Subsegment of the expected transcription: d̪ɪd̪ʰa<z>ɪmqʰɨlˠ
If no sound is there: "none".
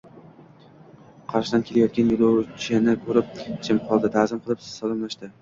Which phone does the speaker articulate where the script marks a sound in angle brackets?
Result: z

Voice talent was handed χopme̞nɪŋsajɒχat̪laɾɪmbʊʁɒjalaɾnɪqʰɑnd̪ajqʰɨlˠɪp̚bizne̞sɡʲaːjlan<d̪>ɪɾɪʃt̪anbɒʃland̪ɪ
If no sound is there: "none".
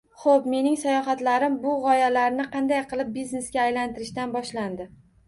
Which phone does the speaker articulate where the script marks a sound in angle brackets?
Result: t̪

